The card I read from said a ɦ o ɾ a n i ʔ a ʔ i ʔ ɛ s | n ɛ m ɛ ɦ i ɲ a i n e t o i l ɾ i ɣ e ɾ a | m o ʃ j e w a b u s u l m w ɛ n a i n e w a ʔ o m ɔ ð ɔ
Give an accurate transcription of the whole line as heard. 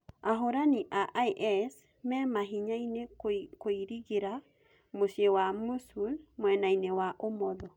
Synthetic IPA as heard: a ɦ o ɾ a n i ʔ a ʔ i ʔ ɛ s | m ɛ m a ɦ i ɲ a i n e k o i ɾ i ɣ e ɾ a | m o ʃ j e w a m u s u l m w ɛ n a i n e w a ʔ o m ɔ ð ɔ